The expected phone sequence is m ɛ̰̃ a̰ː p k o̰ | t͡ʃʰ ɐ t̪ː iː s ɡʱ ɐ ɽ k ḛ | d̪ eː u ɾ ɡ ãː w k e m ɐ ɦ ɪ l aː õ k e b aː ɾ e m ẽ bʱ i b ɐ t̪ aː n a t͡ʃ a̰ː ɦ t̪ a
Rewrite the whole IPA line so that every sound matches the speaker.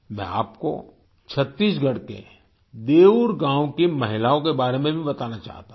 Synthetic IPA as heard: m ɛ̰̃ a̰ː p k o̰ | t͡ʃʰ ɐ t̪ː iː s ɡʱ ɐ ɽ k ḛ | d̪ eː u ɾ ɡ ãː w k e m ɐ ɦ ɪ l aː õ k e b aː ɾ e m ẽ bʱ i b ɐ t̪ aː n a t͡ʃ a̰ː ɦ t̪ a